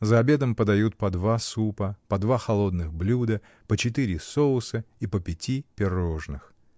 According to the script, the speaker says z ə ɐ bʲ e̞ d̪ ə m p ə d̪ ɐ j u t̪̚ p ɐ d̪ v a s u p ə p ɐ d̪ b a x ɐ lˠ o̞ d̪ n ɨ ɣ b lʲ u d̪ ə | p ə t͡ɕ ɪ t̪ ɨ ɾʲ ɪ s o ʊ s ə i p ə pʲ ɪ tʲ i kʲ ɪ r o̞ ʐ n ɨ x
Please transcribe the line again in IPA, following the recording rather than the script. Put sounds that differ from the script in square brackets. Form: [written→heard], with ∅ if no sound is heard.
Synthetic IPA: z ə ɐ bʲ e̞ d̪ ə m p ə d̪ ɐ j u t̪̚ p ɐ d̪ v a s u p ə p ɐ d̪ [b→v] a x ɐ lˠ o̞ d̪ n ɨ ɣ b lʲ u d̪ ə | p ə t͡ɕ ɪ t̪ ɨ ɾʲ ɪ s o ʊ s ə i p ə pʲ ɪ tʲ i [kʲ→pʲ] ɪ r o̞ ʐ n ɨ x